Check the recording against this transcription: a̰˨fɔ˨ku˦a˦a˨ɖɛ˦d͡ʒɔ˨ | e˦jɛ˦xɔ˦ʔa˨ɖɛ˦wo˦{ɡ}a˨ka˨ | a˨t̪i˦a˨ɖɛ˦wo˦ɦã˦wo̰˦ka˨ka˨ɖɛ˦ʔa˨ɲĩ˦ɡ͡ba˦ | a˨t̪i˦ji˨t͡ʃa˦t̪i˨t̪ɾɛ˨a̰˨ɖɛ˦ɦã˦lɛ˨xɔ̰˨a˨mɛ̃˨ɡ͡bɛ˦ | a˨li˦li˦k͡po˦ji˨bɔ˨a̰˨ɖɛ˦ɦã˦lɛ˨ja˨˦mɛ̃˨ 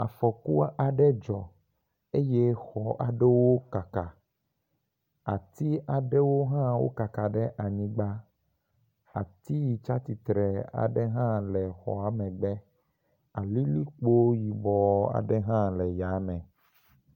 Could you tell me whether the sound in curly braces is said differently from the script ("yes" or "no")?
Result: yes